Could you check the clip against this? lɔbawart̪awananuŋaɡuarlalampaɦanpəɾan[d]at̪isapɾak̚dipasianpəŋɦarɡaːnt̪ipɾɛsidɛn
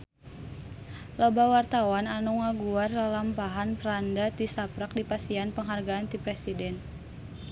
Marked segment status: correct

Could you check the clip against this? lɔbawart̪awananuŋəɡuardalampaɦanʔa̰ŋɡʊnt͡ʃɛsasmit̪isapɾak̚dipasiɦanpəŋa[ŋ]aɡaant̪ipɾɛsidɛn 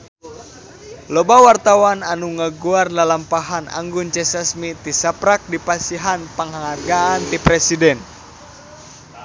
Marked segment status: correct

